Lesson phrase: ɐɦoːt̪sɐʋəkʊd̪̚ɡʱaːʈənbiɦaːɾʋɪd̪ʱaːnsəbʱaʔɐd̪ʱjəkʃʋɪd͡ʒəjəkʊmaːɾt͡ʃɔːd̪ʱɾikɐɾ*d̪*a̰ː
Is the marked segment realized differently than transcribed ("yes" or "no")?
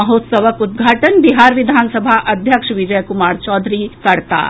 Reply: yes